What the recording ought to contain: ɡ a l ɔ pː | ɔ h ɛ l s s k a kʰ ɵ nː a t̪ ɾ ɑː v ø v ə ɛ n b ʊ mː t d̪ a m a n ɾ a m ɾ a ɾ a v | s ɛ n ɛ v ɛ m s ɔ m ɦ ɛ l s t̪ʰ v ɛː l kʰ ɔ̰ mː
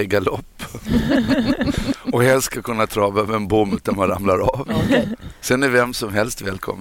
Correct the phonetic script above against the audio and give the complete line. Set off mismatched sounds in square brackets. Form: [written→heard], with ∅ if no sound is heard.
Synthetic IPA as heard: ɡ a l ɔ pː | ɔ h ɛ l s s k a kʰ ɵ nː a [t̪→t̪ʰ] ɾ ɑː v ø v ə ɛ n b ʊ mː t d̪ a m a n ɾ a m [ɾ→l] a ɾ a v | s ɛ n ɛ v ɛ m s ɔ m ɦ ɛ l s [t̪ʰ→t̪] v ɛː l kʰ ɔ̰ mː